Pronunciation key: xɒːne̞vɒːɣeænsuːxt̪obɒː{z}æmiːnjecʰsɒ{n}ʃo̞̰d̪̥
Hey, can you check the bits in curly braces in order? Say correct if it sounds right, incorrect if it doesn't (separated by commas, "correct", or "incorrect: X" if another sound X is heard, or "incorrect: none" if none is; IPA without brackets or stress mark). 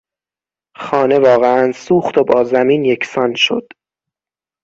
correct, correct